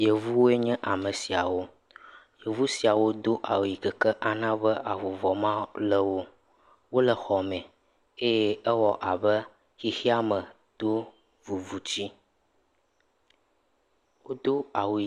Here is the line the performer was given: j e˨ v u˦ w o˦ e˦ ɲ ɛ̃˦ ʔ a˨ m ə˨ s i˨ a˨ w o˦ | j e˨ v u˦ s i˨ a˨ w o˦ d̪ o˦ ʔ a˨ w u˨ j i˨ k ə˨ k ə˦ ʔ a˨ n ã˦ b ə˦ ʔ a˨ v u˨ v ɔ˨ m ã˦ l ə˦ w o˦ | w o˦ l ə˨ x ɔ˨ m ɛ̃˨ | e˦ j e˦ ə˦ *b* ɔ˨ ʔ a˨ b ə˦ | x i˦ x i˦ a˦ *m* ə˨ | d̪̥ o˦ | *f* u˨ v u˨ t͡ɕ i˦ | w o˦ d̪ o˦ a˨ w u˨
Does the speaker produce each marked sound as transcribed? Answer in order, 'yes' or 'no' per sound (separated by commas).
no, yes, no